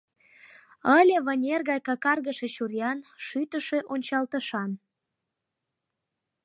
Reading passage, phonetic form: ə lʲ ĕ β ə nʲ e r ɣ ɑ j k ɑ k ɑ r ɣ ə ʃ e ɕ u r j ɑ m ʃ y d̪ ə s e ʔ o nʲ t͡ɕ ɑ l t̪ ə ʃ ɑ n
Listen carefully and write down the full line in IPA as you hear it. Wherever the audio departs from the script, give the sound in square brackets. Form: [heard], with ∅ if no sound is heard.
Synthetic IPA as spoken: ə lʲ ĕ β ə nʲ e r ɣ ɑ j k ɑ k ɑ r ɣ ə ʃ e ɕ u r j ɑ [n] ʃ y [t̪] ə [ʃ] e ʔ o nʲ t͡ɕ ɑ l t̪ ə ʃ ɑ n